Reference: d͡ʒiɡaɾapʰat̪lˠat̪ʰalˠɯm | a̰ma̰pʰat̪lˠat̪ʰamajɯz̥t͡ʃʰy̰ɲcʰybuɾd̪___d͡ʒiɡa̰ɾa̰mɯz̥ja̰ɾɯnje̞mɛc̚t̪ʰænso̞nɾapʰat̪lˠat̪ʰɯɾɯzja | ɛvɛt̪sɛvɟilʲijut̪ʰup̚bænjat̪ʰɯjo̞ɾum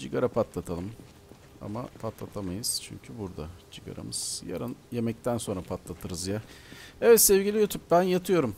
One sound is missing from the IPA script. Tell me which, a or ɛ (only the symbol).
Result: a